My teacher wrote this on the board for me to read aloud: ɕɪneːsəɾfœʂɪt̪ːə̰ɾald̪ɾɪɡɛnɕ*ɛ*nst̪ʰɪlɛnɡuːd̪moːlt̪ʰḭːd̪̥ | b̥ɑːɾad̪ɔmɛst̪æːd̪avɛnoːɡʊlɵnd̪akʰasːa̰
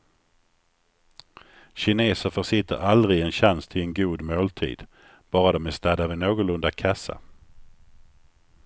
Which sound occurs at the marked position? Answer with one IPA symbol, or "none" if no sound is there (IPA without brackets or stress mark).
a